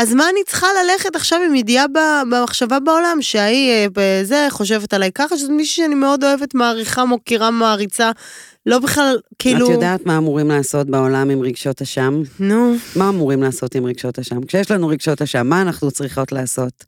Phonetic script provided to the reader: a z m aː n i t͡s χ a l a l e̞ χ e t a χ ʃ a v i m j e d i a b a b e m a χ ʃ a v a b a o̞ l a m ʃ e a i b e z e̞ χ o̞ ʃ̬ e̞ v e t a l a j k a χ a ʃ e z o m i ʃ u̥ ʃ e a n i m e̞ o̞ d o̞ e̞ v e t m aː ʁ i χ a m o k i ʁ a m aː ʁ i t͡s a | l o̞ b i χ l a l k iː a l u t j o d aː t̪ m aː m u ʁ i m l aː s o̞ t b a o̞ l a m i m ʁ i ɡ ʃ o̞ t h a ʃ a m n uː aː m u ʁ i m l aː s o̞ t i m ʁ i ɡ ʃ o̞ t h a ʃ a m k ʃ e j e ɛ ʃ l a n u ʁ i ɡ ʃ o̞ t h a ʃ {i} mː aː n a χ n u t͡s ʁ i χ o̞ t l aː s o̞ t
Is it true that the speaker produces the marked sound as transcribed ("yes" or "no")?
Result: no